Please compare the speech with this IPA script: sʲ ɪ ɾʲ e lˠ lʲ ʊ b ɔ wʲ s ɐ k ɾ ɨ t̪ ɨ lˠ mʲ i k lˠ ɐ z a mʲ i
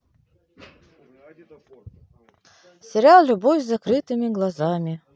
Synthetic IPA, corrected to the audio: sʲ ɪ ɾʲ a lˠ lʲ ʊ b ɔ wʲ z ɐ k ɾ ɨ t̪ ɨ mʲ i ɡ lˠ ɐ z a mʲ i